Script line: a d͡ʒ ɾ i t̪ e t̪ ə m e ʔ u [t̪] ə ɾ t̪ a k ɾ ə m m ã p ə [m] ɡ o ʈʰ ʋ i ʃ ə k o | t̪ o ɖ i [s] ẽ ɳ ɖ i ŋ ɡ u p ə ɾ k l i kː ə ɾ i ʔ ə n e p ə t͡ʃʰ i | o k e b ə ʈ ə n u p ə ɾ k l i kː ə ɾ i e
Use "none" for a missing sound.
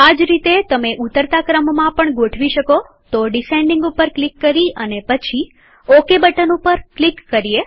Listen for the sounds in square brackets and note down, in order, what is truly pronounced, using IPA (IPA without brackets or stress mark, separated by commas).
t̪, ɳ, s